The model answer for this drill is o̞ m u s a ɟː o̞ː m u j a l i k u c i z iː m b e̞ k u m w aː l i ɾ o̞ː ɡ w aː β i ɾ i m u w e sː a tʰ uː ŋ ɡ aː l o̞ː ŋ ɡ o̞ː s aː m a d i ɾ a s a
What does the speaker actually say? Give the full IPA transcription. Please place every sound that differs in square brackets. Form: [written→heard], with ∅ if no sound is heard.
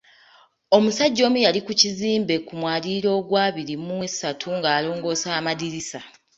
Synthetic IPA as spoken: o̞ m u s a ɟː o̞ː m u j a l i k u c i z iː m b e̞ k u m w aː l i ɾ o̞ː ɡ w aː β i ɾ i m u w e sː a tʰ [uː→u] ŋ ɡ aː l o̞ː ŋ ɡ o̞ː s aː m a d i ɾ [a→i] s a